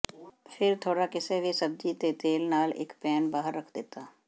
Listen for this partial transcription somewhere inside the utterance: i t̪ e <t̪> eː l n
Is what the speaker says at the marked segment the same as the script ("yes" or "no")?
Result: yes